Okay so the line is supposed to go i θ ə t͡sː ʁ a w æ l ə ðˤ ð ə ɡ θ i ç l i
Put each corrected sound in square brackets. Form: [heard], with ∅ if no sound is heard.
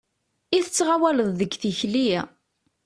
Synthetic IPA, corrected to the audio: i θ ə t͡sː ʁ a w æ l ə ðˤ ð ə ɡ θ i ç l i